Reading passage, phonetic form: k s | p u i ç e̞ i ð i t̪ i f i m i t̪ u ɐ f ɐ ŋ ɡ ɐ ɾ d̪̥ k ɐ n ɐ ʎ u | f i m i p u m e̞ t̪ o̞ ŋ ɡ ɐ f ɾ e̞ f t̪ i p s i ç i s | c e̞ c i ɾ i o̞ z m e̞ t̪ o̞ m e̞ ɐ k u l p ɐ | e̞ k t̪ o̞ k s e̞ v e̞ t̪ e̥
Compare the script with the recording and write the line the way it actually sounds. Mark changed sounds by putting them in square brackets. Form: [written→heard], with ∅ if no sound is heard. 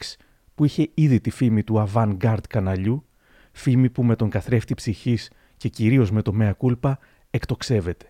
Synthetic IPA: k s | p u i ç e̞ i ð i t̪ i f i m i t̪ u ɐ [f→v] ɐ ŋ ɡ ɐ ɾ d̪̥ k ɐ n ɐ ʎ u | f i m i p u m e̞ t̪ o̞ ŋ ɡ ɐ [f→θ] ɾ e̞ f t̪ i p s i ç i s | c e̞ c i ɾ i o̞ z m e̞ t̪ o̞ m e̞ ɐ k u l p ɐ | e̞ k t̪ o̞ k s e̞ v e̞ t̪ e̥